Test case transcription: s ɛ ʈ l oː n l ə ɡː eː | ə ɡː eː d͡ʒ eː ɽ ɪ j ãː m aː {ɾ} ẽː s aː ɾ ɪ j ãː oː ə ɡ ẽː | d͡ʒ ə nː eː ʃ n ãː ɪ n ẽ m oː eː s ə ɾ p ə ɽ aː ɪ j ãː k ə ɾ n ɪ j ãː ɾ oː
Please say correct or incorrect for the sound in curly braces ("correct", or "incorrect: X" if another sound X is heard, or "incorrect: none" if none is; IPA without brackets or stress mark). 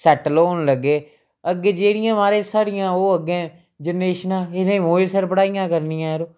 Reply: correct